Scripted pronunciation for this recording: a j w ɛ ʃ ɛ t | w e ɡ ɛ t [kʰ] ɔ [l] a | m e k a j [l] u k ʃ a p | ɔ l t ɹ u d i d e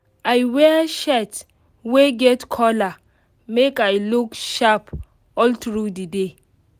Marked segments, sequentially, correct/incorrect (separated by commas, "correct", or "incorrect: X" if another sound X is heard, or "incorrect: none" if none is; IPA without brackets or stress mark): correct, correct, correct